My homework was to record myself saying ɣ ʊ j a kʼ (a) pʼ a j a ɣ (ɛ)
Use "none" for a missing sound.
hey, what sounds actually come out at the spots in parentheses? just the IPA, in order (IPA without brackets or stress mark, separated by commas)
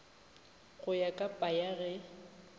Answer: a, ɛ